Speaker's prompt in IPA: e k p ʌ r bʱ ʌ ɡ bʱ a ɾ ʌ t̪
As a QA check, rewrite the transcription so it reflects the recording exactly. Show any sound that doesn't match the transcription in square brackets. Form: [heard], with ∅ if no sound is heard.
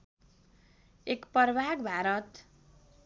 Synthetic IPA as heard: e k p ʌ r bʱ [a] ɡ bʱ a ɾ ʌ t̪